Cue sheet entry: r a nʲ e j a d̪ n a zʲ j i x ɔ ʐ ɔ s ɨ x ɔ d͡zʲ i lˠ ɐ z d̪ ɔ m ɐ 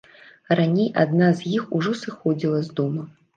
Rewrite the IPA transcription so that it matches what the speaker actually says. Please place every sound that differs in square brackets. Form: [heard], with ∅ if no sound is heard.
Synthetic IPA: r a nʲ e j a d̪ n a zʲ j i x [u] ʐ ɔ s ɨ x ɔ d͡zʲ i lˠ ɐ z d̪ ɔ m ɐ